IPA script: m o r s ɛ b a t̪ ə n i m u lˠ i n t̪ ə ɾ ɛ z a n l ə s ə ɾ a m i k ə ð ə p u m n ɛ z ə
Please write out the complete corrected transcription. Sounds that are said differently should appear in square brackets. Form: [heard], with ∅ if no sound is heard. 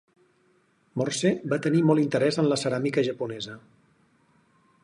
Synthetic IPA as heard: m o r s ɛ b a t̪ ə n i m [ɔ] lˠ i n t̪ ə ɾ ɛ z [ə] n l ə s ə ɾ a m i k ə [ʒ] ə p u [∅] n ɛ z ə

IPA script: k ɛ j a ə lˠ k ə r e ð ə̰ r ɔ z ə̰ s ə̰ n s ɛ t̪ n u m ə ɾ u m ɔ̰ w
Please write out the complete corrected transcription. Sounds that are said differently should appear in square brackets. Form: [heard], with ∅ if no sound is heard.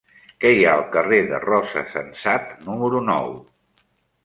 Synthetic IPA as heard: k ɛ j a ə lˠ k ə r e ð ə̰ r ɔ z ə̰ s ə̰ n s [a] t̪ n u m ə ɾ u [n] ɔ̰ w

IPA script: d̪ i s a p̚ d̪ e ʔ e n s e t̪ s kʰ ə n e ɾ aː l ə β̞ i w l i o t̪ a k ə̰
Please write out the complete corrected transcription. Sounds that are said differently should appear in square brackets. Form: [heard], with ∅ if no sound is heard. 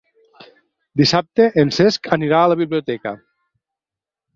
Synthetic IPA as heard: d̪ i s a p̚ [t̪] e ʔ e n s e [∅] s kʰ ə n [i] ɾ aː l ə β̞ i [β] l i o t̪ [ɛ] k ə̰

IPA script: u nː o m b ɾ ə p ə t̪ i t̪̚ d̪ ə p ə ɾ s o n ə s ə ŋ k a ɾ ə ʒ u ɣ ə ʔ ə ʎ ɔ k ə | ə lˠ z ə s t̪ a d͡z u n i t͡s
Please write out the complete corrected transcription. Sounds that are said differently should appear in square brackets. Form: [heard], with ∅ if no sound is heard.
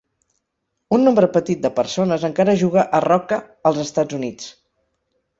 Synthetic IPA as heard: u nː o m b ɾ ə p ə t̪ i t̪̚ d̪ ə p ə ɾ s o n ə [z] ə ŋ k a ɾ ə ʒ u ɣ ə ʔ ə [r] ɔ k ə | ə lˠ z ə s t̪ a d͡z u n i t͡s

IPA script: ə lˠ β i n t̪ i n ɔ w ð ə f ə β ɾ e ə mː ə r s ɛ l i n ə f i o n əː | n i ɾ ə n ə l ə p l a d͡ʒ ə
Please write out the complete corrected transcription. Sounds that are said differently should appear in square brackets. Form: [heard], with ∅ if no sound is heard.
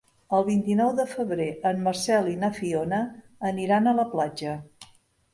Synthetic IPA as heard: ə lˠ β i n t̪ i n ɔ w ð ə f ə β ɾ e ə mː ə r s ɛ l i n ə f i o n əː | n i ɾ [a] n ə l ə p l a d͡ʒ ə

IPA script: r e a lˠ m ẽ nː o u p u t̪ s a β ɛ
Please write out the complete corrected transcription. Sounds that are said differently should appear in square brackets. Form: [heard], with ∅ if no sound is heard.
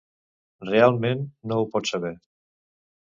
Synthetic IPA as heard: r e a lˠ m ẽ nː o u p [ɔ] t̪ s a β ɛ

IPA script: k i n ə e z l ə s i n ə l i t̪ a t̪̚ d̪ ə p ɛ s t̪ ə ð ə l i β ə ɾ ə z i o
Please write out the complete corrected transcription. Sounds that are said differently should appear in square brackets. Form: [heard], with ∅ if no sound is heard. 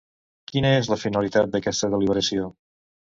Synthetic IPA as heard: k i n ə e z l ə [f] i n ə l i t̪ a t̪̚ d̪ ə [k] ɛ s t̪ ə ð ə l i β ə ɾ ə [s] i o

